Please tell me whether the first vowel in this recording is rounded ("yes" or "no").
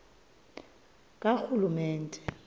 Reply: no